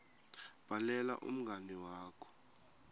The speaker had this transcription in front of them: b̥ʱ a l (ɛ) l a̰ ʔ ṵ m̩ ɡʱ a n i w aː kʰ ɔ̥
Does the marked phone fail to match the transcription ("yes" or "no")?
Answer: no